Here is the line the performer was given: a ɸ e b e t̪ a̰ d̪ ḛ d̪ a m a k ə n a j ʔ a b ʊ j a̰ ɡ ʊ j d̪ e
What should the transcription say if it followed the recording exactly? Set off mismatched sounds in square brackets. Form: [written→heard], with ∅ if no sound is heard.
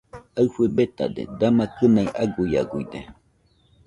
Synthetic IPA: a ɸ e b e t̪ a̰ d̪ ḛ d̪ a m a k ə n a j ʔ a [b→ɡ] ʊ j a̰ ɡ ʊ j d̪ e